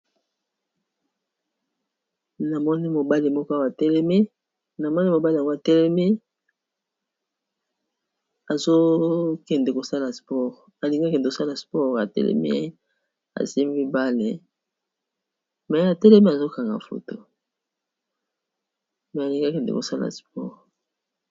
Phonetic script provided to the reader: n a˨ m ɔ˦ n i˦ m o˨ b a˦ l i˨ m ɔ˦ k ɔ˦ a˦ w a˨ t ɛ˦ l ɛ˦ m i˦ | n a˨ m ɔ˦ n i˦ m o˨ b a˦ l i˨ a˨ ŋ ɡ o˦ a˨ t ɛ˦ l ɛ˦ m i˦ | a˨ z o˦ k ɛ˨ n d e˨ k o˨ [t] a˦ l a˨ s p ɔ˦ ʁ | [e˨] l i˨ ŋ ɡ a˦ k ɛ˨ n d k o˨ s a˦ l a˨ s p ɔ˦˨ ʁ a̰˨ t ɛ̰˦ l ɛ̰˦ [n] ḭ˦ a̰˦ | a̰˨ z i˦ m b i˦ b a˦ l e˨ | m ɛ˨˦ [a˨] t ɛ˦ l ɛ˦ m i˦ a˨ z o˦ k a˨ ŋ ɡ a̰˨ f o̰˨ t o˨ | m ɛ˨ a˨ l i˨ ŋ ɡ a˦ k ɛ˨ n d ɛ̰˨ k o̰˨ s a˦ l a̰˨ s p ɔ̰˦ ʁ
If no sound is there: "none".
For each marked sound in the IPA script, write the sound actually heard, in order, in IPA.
s, a˨, m, a˨

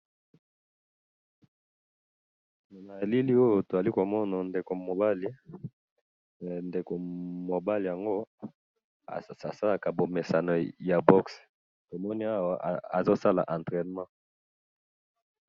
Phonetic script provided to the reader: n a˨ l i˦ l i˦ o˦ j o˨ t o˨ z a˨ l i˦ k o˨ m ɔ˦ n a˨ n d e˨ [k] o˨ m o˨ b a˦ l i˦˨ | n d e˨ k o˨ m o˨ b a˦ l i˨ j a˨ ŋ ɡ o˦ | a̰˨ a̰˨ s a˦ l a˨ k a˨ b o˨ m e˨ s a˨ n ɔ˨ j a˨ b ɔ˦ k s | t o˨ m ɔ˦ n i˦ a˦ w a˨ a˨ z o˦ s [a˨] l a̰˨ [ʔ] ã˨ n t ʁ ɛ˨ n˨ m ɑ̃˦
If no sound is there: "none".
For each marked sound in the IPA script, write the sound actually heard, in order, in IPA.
k, a˦, ʔ

